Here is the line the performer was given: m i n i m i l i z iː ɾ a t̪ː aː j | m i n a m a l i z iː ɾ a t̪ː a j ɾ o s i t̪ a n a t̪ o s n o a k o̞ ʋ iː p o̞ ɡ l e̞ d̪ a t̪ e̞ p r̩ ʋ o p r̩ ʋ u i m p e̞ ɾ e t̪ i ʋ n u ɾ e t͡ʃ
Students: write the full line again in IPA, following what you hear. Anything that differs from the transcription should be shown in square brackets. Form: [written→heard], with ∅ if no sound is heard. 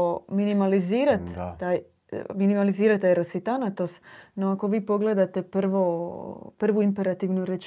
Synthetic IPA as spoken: m i n i m [i→a] l i z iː ɾ a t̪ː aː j | m i n [a→i] m a l i z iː ɾ a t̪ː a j ɾ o s i t̪ a n a t̪ o s n o a k o̞ ʋ iː p o̞ ɡ l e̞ d̪ a t̪ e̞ p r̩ ʋ o p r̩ ʋ u i m p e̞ ɾ [e→a] t̪ i ʋ n u ɾ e t͡ʃ